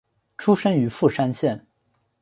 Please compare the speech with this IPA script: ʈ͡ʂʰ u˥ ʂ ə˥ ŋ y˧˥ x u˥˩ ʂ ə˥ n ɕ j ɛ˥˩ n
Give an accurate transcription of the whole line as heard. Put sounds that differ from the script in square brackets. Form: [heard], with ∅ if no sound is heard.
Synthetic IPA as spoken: ʈ͡ʂʰ u˥ ʂ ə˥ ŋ y˧˥ [f] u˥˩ ʂ [a˥] n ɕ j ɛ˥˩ n